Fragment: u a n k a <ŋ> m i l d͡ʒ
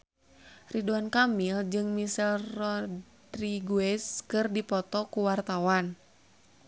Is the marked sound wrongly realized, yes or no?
yes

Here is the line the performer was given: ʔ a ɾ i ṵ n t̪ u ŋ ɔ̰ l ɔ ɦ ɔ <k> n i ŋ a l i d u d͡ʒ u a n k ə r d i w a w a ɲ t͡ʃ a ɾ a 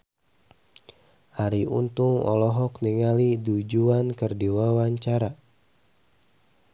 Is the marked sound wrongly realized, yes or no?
no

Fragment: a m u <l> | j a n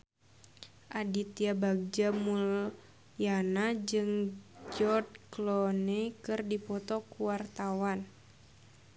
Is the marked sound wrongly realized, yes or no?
no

